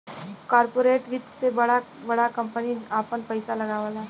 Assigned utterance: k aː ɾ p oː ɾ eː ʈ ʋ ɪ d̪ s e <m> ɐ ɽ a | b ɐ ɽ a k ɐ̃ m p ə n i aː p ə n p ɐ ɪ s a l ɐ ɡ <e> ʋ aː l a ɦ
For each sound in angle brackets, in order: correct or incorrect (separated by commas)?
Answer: incorrect, incorrect